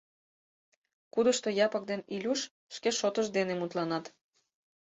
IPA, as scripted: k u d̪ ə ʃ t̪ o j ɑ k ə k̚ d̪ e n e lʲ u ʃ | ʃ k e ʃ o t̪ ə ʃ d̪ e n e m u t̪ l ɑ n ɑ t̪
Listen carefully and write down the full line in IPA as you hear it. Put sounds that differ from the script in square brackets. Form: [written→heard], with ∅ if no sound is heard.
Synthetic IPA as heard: k u d̪ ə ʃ t̪ o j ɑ [k→p] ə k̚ d̪ e n [e→i] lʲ u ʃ | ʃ k e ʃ o t̪ ə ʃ d̪ e n e m u t̪ l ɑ n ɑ t̪